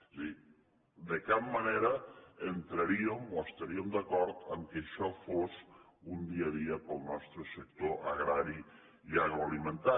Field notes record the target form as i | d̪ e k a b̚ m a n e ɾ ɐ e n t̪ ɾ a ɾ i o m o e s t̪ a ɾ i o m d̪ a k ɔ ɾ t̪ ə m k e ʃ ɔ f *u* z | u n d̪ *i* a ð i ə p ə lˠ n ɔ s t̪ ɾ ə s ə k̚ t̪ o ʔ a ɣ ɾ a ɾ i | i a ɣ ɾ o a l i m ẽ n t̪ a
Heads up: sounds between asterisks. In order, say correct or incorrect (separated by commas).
incorrect, correct